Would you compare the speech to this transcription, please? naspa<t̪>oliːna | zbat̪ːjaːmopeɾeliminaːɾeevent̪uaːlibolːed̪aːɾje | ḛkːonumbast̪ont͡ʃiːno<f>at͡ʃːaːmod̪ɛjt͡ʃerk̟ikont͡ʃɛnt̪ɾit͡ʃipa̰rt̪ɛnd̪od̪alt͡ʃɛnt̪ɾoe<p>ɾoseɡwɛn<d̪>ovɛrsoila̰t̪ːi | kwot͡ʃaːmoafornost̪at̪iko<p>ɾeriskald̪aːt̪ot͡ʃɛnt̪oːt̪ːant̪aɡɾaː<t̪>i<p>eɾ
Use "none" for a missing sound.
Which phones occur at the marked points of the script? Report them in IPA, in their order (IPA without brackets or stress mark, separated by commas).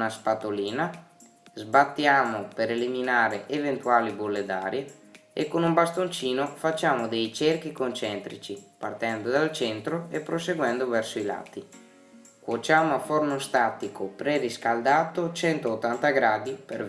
t̪, f, p, d̪, p, d̪, p